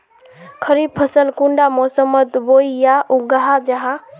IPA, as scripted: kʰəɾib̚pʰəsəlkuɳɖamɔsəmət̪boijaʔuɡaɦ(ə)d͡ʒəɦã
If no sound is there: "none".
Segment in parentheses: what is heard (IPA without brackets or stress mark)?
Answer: a